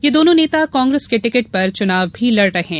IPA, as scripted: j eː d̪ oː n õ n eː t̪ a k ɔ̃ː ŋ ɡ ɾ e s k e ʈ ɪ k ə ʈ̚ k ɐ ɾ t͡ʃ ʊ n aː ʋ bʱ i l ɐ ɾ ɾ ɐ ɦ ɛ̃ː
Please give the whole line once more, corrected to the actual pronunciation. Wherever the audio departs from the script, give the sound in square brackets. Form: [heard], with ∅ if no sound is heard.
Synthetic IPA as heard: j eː d̪ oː n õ n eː t̪ a k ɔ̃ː ŋ ɡ ɾ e s k e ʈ ɪ k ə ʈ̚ [p] ɐ ɾ t͡ʃ ʊ n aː ʋ bʱ i l ɐ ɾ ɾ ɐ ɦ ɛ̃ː